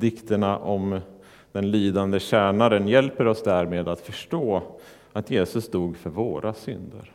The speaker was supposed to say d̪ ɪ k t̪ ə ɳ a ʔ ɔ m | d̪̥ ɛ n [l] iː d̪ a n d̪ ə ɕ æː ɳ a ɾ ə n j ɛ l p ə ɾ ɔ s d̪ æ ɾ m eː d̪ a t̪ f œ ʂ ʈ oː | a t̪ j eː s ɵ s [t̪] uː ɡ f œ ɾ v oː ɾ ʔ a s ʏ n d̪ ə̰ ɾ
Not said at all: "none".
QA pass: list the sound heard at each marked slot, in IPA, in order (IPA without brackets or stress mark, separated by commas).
l, d̪